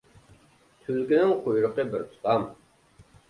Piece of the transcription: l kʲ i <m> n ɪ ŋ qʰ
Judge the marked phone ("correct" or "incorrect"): incorrect